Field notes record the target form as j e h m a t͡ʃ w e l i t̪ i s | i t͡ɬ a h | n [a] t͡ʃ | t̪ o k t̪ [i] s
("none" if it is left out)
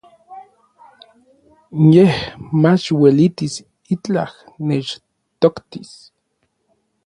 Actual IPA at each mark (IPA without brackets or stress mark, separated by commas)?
e, i